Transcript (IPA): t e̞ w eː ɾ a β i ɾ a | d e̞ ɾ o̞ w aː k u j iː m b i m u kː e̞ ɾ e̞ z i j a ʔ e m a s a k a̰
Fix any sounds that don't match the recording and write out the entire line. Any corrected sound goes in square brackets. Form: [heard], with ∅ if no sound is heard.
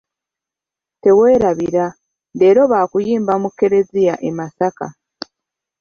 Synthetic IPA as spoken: t e̞ w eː ɾ a β i ɾ a | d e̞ ɾ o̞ [β] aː k u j iː m b [a] m u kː e̞ ɾ e̞ z i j a ʔ e m a s a k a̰